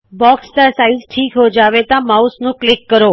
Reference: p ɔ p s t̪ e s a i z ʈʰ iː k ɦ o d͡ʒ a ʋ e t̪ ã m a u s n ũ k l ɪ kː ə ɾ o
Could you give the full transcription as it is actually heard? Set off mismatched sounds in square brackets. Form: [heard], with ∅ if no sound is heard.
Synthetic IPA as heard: [b] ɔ [k] s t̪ [a] s a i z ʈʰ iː k ɦ o d͡ʒ a ʋ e t̪ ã m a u s n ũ k l ɪ kː ə ɾ o